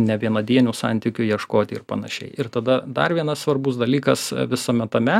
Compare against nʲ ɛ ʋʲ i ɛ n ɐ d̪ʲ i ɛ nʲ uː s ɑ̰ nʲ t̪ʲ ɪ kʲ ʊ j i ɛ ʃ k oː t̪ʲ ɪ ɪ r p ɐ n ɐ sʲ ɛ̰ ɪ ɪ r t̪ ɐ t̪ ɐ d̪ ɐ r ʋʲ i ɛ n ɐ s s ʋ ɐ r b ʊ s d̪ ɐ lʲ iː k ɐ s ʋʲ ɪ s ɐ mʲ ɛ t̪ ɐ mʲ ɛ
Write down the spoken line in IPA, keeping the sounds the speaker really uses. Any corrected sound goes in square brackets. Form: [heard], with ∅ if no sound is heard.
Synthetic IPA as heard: nʲ ɛ ʋʲ i ɛ n ɐ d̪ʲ i ɛ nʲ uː s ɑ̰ nʲ t̪ʲ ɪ kʲ ʊ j i ɛ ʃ k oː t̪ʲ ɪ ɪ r p ɐ n ɐ [ʃʲ] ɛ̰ ɪ ɪ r t̪ ɐ [d̪] ɐ d̪ ɐ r ʋʲ i ɛ n ɐ s s ʋ ɐ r b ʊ s d̪ ɐ lʲ iː k ɐ s ʋʲ ɪ s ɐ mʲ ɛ t̪ ɐ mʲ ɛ